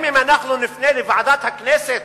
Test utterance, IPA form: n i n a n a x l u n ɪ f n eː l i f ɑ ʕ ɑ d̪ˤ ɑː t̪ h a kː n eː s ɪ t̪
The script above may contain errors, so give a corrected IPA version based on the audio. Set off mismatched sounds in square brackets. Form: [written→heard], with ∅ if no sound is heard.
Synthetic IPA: [n→m] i [n→m] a n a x l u n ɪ f n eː l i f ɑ ʕ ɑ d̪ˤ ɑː t̪ h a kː n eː s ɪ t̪